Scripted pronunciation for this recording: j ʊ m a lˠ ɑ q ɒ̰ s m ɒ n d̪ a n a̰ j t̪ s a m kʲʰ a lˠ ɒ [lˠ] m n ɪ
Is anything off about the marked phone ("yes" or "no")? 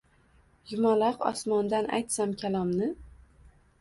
yes